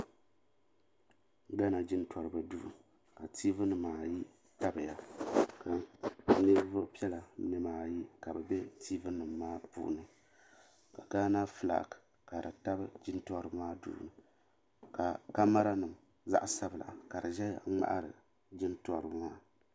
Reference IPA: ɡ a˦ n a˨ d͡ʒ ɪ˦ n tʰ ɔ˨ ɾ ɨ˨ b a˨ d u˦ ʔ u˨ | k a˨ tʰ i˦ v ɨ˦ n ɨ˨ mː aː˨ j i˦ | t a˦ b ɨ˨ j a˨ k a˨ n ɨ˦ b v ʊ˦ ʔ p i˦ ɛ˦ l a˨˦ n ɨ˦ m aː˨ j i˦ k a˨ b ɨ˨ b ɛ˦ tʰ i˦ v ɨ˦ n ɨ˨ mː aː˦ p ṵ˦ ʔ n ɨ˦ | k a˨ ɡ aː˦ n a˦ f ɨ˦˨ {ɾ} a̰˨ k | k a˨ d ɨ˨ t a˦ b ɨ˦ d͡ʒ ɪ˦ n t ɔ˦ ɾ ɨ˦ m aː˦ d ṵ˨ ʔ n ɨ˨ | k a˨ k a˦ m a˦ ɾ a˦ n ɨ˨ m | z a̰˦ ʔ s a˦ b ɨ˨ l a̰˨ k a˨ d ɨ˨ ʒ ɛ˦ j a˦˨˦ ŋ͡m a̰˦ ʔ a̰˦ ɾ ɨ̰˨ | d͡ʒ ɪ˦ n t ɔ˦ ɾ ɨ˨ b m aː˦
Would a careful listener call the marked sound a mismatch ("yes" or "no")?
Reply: yes